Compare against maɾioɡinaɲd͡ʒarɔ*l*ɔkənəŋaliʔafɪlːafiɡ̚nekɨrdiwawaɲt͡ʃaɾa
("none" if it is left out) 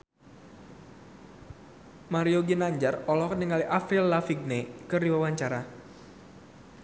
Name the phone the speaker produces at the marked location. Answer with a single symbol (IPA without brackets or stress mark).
l